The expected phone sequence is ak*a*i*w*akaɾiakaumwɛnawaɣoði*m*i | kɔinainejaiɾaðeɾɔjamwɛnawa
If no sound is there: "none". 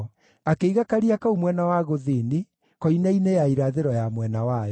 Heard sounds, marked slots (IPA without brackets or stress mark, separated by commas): e, ɣ, n